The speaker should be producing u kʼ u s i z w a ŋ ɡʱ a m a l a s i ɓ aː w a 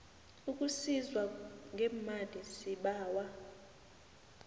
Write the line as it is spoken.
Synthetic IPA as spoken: u kʼ u s i z w a ŋ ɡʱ ɛ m a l i s i ɓ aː w a